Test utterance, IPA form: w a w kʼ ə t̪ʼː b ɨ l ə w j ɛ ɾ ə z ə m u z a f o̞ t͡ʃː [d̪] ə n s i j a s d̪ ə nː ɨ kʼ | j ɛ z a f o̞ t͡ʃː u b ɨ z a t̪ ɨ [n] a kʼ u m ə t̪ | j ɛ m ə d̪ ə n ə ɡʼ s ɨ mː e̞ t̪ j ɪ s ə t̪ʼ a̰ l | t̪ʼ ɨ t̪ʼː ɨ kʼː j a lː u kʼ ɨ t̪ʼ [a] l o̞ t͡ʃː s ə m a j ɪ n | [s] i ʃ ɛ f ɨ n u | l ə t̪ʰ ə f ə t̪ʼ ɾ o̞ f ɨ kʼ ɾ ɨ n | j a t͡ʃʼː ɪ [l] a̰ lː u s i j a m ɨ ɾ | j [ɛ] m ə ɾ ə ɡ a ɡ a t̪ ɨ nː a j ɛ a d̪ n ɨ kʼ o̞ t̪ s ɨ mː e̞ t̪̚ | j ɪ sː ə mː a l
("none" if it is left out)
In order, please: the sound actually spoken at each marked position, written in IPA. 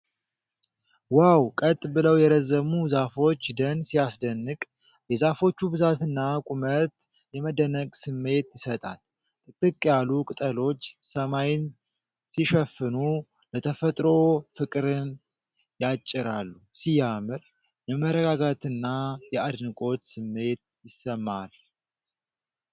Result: d̪, nː, ə, s, ɾ, ɛ

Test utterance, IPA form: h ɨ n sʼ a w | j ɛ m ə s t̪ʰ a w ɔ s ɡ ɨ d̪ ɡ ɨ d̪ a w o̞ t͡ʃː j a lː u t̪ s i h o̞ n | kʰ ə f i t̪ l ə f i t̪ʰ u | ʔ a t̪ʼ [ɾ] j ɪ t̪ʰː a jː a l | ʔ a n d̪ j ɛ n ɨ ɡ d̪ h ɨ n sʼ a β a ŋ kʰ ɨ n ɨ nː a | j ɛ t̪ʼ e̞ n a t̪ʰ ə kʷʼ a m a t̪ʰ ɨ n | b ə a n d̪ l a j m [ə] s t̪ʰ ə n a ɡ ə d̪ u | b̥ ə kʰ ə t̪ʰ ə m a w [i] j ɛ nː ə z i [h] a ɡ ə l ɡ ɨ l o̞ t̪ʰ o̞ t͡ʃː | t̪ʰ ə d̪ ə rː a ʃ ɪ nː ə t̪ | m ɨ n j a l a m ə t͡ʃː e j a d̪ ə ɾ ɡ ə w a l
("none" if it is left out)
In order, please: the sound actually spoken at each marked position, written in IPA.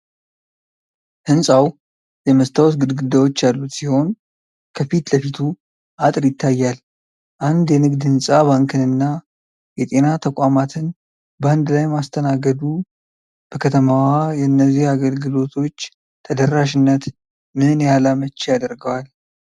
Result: ɾ, a, a, h

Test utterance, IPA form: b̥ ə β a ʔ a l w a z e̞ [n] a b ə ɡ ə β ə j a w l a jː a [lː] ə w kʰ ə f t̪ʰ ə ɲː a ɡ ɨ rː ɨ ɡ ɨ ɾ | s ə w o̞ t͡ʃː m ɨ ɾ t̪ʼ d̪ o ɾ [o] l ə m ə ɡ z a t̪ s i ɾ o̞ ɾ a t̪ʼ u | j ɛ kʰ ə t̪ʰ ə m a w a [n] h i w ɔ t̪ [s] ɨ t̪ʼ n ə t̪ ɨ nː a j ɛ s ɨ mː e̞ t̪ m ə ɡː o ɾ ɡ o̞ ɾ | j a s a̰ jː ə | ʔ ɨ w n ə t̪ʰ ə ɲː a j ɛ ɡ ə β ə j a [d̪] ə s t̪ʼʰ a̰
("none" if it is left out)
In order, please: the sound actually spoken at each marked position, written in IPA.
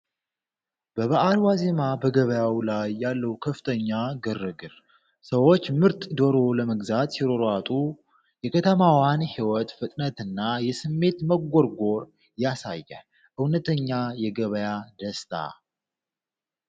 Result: m, lː, o, n, f, d̪

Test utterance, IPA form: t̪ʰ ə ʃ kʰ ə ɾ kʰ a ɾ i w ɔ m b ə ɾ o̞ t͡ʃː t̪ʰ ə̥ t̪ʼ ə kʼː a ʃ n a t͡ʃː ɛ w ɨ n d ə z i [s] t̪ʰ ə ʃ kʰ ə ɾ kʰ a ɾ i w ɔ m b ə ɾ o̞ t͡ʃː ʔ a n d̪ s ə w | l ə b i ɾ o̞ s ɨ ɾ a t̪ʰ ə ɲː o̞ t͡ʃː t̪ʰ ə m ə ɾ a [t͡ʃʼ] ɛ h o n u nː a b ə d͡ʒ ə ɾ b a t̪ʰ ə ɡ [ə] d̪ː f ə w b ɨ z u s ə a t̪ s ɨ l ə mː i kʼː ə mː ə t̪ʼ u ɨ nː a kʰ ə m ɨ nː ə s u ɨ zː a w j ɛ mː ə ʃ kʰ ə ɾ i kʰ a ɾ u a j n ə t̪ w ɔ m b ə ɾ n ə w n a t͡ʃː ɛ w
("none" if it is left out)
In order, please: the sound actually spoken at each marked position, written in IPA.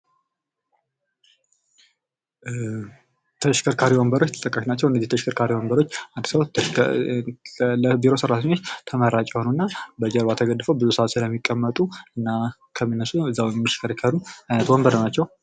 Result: h, t͡ʃʼ, ə

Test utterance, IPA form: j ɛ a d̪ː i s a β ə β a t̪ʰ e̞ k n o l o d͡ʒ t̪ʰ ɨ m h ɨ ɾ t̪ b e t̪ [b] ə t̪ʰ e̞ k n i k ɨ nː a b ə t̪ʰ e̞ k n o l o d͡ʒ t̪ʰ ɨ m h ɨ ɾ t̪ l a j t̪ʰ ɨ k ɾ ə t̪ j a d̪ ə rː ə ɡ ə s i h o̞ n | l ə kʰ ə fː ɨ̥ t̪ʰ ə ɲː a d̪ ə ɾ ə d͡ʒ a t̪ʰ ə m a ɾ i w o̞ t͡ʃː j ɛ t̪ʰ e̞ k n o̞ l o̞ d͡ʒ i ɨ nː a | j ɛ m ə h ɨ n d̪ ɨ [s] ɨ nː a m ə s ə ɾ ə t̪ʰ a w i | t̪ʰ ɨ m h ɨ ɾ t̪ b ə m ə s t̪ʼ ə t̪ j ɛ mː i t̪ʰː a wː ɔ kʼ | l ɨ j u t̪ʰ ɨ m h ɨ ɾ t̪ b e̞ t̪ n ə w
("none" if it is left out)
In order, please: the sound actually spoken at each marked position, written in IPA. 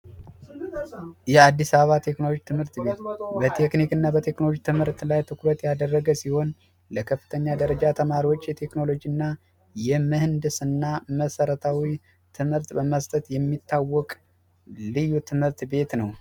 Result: b, s

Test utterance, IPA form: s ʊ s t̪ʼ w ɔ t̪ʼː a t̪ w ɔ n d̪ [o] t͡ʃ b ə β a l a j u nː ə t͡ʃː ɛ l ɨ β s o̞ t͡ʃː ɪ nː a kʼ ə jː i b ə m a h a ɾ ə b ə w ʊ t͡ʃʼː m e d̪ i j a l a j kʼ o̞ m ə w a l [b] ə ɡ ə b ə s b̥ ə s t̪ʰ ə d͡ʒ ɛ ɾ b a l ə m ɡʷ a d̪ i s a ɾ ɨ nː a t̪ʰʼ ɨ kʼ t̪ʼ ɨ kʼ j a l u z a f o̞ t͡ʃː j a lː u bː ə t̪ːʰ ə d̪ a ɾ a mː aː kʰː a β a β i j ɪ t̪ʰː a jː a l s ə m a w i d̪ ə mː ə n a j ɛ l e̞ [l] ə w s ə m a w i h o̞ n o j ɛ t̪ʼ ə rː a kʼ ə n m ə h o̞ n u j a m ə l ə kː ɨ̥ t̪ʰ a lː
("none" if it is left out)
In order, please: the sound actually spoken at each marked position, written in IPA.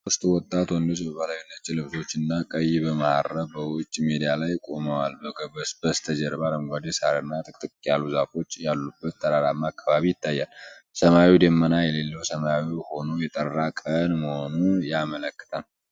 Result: o, b, lː

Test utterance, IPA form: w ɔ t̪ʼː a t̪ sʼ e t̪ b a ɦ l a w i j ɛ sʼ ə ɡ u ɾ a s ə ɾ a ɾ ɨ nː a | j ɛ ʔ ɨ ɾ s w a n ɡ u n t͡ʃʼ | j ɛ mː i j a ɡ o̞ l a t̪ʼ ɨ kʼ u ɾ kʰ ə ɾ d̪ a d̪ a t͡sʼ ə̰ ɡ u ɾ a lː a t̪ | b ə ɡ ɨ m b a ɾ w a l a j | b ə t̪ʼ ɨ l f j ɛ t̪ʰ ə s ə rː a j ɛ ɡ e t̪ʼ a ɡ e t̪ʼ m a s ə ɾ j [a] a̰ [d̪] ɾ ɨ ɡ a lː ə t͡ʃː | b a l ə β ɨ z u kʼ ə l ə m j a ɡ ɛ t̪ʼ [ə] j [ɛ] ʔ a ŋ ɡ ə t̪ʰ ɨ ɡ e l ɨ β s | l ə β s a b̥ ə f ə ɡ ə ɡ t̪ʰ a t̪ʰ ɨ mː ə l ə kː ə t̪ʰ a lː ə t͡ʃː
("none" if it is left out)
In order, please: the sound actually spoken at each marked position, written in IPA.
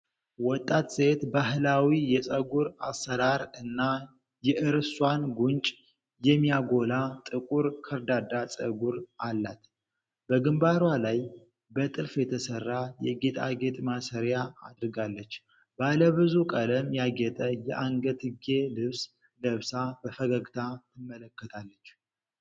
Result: a, d̪, ə, ɛ

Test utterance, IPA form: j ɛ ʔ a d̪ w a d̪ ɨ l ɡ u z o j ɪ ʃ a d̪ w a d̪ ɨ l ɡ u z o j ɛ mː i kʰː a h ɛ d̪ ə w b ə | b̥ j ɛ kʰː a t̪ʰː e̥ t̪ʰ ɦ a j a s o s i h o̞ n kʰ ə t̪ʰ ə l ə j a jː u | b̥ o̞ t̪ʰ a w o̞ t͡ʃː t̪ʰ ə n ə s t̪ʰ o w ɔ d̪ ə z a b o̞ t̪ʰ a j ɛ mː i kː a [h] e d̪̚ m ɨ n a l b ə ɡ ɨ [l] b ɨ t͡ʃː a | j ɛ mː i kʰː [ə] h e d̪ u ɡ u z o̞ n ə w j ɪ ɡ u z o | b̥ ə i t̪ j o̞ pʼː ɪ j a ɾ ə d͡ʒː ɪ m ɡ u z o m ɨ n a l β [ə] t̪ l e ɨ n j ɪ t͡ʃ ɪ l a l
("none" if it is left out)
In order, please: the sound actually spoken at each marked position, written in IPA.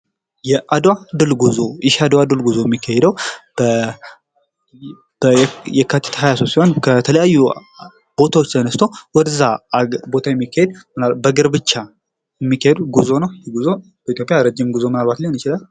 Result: h, ɾ, a, a

